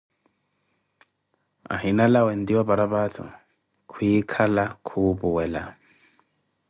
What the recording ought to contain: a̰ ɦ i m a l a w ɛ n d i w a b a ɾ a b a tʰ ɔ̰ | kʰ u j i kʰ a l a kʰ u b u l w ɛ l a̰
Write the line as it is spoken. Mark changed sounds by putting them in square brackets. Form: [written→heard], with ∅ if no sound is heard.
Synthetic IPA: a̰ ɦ i [m→n] a l a w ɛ n d i w a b a ɾ a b a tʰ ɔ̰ | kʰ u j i kʰ a l a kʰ u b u [l→∅] w ɛ l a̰